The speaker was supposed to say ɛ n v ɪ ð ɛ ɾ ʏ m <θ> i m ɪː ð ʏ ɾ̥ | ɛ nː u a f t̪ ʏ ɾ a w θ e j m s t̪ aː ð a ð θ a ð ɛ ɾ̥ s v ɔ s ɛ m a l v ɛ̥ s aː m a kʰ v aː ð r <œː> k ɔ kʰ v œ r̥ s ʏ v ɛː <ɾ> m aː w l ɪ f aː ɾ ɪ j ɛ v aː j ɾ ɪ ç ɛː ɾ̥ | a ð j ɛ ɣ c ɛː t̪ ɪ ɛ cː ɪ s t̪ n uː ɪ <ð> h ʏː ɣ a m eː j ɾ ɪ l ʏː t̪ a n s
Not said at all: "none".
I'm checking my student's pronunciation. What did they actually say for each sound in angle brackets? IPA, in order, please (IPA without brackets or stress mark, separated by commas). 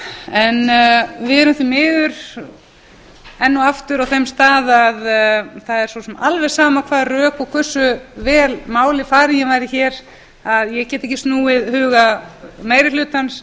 θ, œː, l, ð